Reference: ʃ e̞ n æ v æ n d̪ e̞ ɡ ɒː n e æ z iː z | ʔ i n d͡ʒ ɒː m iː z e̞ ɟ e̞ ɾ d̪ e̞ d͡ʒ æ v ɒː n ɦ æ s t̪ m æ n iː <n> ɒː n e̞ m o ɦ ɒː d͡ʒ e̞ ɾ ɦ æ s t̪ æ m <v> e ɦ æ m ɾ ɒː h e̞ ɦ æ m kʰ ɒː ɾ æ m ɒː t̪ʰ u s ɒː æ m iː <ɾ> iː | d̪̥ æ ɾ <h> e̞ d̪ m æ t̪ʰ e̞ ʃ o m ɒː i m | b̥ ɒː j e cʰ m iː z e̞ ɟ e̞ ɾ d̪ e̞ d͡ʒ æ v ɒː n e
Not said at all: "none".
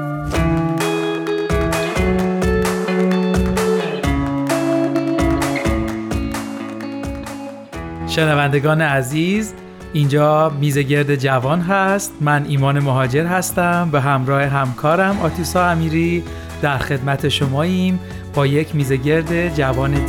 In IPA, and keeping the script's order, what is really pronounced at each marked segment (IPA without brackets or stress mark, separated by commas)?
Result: m, b, ɾ, x